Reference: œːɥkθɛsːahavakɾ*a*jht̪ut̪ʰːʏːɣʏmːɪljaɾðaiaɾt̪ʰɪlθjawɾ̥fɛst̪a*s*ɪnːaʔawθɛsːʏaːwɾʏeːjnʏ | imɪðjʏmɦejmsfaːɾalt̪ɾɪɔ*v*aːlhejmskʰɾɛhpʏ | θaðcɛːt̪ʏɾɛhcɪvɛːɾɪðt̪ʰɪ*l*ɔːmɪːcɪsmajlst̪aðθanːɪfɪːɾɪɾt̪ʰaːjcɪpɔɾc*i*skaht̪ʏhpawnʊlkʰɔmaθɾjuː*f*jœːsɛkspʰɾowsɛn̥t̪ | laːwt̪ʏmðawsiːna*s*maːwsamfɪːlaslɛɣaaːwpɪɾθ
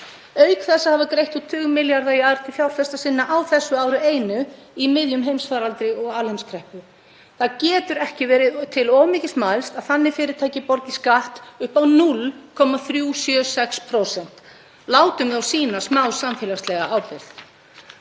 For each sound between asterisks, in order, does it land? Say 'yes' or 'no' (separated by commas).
no, yes, no, yes, no, no, yes